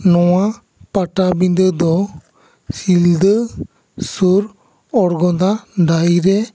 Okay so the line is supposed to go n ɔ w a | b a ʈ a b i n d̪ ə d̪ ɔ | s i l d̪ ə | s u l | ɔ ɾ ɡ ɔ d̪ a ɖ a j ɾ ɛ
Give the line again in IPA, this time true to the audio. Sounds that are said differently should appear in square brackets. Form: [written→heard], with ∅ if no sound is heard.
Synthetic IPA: n ɔ w a | [b→p] a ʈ a b i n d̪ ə d̪ ɔ | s i l d̪ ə | s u [l→ɾ] | ɔ ɾ ɡ ɔ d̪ a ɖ a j ɾ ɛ